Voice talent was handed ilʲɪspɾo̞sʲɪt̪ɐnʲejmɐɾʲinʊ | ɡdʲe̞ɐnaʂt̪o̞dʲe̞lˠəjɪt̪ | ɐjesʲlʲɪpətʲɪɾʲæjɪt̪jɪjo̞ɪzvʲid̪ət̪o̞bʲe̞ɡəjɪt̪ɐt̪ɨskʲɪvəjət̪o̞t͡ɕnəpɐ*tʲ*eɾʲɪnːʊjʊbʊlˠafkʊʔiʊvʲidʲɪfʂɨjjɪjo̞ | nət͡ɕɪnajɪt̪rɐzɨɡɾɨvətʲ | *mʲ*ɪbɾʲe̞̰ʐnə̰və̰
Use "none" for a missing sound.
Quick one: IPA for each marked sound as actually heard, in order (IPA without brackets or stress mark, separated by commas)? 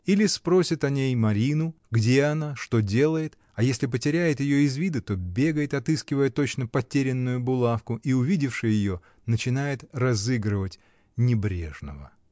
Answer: tʲ, nʲ